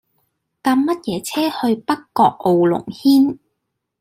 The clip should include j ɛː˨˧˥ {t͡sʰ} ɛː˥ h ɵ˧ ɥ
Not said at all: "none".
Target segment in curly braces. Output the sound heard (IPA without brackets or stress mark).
t͡sʰ